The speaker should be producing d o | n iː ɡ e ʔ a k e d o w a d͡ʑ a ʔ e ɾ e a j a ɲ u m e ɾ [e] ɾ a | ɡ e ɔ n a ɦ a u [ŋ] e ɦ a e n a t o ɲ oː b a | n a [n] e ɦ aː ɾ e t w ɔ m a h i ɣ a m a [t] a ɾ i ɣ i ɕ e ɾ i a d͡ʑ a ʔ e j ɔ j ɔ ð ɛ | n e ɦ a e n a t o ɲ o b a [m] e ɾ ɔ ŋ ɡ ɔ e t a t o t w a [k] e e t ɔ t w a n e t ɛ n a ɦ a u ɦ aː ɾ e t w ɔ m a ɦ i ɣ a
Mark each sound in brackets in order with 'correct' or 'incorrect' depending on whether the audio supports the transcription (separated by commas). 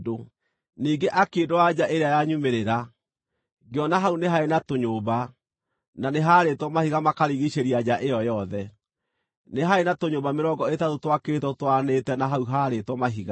correct, incorrect, correct, incorrect, correct, correct